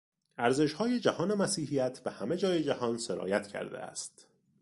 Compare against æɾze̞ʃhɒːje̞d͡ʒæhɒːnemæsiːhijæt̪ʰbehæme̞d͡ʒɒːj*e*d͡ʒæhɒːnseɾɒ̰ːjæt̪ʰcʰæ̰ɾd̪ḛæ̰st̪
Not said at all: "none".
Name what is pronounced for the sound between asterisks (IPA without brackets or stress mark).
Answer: e